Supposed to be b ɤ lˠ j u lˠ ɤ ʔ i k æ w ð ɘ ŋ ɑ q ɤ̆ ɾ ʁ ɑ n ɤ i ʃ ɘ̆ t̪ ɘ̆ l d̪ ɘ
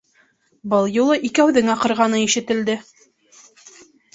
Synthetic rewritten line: b ɤ lˠ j u lˠ ɤ ʔ i k æ w ð ɘ ŋ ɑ q ɤ̆ ɾ ʁ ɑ n ɤ i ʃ ɘ̆ t̪ ɘ̆ l d̪ ɘ